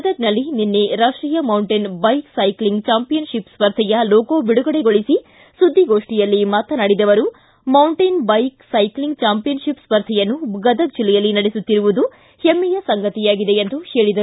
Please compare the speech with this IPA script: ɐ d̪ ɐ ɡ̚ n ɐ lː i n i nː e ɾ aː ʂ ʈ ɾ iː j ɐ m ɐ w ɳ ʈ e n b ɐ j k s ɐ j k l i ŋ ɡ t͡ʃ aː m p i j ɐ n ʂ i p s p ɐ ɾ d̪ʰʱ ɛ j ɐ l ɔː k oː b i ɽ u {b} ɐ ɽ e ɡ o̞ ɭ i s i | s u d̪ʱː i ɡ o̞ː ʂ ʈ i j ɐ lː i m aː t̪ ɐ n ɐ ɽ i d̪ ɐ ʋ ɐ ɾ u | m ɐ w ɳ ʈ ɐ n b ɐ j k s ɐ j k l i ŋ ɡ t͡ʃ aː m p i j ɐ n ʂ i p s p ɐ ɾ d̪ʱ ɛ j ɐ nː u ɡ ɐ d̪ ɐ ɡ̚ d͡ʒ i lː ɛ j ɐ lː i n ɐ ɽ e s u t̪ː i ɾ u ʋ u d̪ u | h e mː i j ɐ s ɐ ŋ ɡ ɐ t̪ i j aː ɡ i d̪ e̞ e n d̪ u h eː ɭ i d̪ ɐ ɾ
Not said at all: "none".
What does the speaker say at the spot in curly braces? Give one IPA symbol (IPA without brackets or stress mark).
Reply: ɡ